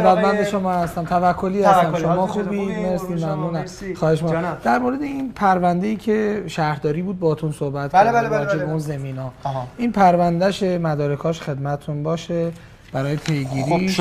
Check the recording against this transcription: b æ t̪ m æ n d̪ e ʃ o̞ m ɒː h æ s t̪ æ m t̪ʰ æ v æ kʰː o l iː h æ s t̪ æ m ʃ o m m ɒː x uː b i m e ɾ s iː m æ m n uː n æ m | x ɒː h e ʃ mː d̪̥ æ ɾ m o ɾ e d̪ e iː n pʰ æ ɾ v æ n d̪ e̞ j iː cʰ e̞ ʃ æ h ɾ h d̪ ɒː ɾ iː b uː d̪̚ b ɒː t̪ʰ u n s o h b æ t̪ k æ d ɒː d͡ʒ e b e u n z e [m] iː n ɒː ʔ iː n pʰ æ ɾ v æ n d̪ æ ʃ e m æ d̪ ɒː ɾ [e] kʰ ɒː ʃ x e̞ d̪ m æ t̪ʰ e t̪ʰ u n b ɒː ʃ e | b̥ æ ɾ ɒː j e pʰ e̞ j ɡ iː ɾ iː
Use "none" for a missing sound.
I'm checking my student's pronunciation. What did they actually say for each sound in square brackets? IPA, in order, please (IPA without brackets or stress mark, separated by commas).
m, e